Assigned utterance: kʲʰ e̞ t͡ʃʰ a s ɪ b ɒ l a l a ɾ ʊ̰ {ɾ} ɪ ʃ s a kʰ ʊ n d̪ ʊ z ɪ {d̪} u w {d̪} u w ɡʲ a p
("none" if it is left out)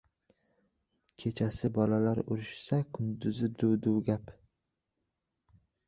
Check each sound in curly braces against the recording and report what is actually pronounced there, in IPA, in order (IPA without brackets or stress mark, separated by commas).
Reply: ɾ, d̪, d̪